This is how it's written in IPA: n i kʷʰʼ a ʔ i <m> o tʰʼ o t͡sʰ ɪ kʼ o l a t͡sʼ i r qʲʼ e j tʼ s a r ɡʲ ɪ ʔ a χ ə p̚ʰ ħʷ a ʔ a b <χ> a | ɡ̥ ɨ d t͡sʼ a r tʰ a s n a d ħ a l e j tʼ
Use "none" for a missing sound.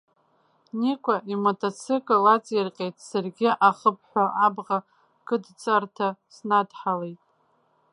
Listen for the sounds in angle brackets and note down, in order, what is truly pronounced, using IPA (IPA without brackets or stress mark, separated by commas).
m, ʁ